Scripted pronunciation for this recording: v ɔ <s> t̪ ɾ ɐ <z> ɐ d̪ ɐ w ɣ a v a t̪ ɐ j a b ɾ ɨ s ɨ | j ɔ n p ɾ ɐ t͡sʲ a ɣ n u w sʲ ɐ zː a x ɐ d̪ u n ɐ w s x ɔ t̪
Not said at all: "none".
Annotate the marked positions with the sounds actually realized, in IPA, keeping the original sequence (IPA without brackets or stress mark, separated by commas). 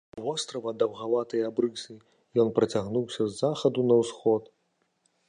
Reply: s, v